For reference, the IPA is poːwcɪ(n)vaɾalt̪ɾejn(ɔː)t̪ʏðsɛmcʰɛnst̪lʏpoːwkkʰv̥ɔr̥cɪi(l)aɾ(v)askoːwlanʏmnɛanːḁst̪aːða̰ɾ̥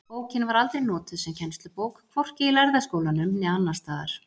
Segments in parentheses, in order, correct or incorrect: correct, correct, correct, incorrect

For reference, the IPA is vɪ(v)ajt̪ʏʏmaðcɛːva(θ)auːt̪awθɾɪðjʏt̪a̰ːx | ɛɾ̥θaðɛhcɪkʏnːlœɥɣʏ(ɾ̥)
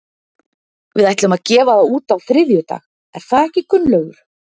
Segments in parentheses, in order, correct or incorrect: incorrect, incorrect, correct

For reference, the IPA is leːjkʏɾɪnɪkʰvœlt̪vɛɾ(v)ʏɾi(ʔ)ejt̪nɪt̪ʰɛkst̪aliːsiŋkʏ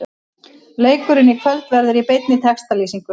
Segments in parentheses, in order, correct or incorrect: incorrect, incorrect

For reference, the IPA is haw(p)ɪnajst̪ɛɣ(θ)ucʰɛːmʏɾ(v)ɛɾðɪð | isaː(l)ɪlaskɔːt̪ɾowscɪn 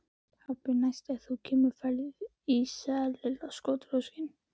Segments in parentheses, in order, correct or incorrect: correct, correct, incorrect, correct

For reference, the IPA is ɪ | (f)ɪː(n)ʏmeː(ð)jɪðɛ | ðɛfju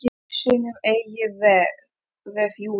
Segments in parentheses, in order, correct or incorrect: incorrect, correct, incorrect

